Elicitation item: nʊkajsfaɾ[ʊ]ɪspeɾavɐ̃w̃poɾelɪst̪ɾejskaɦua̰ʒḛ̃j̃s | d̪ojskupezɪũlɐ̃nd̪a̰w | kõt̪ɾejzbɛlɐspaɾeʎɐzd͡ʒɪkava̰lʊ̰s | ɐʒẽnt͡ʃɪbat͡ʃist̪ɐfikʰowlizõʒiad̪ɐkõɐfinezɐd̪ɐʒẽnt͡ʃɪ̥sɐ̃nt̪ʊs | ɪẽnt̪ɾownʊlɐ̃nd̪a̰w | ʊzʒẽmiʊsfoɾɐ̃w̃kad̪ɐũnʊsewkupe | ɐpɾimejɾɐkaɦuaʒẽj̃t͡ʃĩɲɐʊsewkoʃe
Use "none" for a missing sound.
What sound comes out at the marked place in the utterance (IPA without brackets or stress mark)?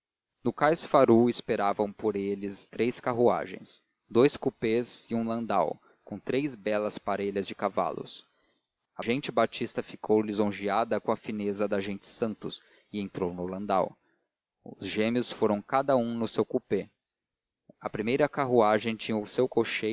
u